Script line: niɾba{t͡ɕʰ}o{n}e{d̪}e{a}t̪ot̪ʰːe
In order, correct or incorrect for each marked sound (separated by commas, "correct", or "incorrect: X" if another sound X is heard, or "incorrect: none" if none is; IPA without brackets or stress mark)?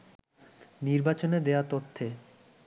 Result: incorrect: t͡ɕ, correct, correct, correct